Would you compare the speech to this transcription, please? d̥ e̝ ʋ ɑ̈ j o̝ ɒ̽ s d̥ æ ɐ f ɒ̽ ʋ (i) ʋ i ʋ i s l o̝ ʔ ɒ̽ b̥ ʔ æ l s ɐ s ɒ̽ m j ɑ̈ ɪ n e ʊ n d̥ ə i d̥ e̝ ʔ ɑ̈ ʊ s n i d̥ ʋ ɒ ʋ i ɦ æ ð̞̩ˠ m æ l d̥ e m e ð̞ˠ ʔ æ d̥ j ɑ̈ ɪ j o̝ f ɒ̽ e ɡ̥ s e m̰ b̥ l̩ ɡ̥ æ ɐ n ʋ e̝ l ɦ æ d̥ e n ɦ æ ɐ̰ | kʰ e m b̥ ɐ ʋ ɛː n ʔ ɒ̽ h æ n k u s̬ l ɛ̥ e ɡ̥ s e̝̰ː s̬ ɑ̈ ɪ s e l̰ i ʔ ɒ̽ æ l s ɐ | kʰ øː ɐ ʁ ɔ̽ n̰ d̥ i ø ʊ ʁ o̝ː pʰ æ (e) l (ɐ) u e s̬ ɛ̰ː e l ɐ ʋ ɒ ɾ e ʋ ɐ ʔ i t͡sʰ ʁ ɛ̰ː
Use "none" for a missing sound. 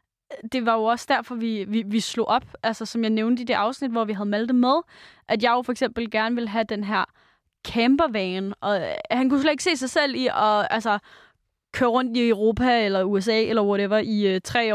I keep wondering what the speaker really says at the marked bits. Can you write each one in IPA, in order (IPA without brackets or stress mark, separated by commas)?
i, e, ɐ